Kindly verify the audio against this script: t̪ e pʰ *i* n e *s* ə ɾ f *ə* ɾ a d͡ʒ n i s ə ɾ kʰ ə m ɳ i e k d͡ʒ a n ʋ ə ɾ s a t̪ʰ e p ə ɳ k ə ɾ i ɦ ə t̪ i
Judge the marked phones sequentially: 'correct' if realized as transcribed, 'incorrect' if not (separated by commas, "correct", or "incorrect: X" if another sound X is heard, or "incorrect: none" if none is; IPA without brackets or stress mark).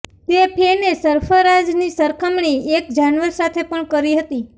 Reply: incorrect: e, correct, correct